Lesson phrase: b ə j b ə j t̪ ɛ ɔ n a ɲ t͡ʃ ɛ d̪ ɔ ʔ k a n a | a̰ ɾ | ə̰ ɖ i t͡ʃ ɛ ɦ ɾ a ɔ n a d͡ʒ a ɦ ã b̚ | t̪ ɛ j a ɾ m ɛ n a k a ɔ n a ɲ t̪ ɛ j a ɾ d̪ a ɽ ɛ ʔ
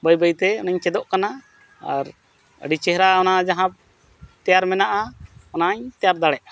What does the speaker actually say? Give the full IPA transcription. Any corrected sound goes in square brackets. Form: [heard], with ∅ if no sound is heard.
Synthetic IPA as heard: b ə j b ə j t̪ ɛ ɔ n a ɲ t͡ʃ ɛ d̪ ɔ ʔ k a n a | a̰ ɾ | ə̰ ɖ i t͡ʃ ɛ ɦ ɾ a ɔ n a d͡ʒ a ɦ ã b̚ | t̪ ɛ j a ɾ m ɛ n a [ʔ] a ɔ n a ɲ t̪ ɛ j a ɾ d̪ a ɽ ɛ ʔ